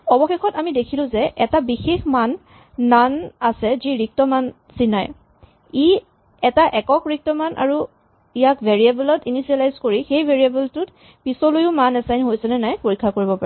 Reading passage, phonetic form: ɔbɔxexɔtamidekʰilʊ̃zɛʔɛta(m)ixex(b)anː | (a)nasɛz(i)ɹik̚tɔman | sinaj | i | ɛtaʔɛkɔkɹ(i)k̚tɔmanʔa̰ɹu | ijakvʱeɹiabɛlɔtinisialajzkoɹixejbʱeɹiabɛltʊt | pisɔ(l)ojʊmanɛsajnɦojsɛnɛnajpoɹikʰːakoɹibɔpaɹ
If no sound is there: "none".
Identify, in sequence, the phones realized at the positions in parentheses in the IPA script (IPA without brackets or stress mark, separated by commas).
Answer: b, m, a, i, i, l